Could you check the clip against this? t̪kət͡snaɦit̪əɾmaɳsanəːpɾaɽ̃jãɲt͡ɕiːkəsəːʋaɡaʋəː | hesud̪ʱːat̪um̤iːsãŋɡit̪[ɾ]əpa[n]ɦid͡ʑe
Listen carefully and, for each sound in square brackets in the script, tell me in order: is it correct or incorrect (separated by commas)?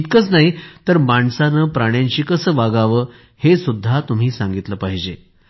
incorrect, incorrect